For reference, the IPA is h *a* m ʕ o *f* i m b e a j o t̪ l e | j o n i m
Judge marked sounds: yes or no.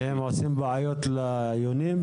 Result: no, no

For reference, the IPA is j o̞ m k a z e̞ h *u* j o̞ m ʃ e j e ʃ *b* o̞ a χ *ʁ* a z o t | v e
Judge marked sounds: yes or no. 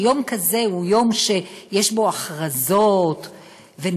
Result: yes, yes, yes

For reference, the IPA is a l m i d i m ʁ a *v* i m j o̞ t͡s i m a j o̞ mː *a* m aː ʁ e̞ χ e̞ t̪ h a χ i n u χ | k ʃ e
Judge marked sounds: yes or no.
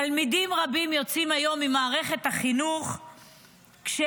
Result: no, no

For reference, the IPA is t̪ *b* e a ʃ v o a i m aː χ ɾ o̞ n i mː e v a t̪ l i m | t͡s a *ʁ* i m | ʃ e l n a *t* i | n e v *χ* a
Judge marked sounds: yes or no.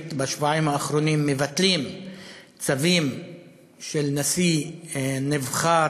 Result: yes, no, no, yes

